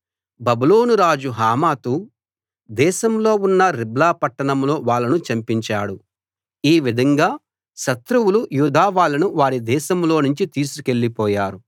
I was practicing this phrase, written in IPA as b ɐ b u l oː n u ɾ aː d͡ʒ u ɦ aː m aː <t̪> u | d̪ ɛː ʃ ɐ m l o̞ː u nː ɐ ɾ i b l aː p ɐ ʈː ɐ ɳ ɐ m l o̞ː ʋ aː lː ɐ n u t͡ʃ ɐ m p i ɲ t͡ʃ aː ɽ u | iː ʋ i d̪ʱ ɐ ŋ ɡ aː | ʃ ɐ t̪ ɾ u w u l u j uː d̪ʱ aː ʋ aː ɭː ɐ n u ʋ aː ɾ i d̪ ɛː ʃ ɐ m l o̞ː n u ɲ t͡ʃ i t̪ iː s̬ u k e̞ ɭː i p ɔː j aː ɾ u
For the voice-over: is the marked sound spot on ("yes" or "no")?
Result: yes